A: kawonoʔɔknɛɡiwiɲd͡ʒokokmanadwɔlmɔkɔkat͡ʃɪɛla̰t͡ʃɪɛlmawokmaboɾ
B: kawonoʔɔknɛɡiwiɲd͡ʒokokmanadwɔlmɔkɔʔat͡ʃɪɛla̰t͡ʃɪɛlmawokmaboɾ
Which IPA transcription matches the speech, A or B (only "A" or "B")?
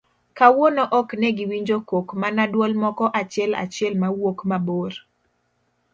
B